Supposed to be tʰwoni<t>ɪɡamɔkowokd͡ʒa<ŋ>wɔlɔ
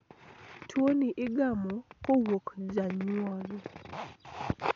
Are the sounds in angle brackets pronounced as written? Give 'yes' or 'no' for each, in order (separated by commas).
no, no